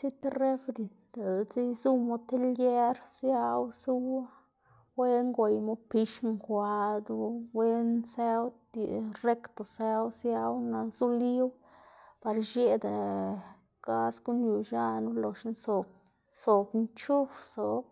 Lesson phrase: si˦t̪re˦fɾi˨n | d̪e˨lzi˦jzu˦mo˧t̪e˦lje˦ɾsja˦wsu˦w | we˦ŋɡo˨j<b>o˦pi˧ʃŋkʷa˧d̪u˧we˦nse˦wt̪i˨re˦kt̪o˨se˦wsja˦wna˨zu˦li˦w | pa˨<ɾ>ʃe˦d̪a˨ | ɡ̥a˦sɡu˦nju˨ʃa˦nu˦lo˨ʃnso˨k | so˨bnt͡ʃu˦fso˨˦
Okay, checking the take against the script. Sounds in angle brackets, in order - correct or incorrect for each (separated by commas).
incorrect, correct